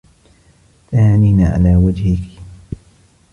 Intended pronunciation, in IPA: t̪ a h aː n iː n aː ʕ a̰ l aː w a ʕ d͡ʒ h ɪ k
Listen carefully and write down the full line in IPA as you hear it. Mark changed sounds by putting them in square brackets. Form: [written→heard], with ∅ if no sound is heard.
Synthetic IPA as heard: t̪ a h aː n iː n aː ʕ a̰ l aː w a [ʕ→∅] d͡ʒ h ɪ k